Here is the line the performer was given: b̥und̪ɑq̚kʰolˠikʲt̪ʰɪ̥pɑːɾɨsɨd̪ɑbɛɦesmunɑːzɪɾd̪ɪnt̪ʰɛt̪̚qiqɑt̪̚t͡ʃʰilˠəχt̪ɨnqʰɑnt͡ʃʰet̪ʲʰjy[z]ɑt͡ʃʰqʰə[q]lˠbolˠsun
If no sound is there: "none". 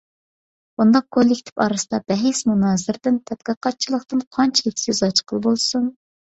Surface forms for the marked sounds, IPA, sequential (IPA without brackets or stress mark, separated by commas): z, none